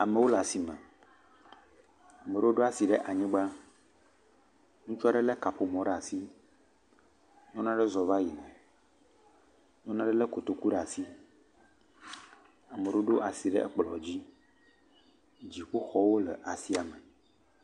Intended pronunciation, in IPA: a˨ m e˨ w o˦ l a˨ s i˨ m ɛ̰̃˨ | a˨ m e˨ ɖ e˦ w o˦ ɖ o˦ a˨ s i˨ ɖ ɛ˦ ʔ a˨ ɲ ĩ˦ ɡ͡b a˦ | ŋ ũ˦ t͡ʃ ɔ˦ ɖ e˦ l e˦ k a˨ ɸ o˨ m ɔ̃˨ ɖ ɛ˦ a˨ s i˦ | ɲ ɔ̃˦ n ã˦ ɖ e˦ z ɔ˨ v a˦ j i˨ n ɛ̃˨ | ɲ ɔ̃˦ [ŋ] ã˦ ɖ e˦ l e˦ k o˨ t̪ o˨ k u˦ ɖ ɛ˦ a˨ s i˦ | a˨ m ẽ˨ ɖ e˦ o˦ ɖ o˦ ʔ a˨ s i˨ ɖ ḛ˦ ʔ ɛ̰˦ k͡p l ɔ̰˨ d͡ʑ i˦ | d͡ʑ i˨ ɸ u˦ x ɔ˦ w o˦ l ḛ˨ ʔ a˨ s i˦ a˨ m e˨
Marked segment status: incorrect: n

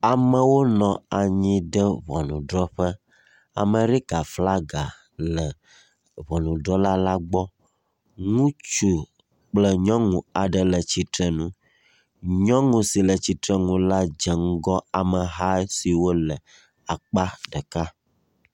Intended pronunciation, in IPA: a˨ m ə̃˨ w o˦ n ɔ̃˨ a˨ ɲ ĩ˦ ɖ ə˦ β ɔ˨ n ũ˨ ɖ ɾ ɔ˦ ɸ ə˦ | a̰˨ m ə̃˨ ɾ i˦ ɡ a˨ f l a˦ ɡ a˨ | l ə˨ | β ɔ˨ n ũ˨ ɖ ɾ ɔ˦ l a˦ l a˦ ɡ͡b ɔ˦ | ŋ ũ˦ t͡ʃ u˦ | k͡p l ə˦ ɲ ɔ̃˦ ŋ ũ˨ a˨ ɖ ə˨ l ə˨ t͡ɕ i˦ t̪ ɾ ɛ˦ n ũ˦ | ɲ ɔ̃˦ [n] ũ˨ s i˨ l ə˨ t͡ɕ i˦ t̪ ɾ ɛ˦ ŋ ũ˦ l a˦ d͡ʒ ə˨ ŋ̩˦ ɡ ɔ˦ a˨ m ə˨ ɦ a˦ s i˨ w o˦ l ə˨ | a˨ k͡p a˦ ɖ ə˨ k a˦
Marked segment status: incorrect: ŋ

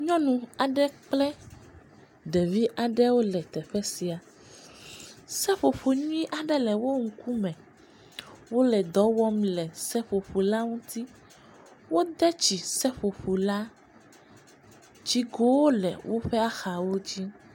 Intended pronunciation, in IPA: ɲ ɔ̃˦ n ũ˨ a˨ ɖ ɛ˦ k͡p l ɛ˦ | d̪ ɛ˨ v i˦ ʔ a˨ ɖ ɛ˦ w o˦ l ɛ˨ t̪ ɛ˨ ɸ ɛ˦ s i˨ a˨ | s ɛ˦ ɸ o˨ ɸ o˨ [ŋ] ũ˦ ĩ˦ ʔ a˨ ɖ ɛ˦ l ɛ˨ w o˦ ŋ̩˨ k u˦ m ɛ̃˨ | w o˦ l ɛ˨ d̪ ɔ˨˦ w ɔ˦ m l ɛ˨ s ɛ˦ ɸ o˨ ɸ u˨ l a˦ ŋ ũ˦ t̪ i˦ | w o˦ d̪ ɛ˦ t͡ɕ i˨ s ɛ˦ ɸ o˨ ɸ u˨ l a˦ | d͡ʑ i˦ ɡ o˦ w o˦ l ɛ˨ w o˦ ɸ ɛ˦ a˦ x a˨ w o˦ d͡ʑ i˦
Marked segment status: incorrect: ɲ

